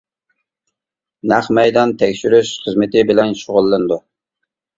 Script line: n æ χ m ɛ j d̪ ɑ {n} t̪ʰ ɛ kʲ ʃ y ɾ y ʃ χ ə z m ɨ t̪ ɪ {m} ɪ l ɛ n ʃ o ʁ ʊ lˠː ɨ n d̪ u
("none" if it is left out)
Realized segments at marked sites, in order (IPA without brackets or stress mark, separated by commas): n, b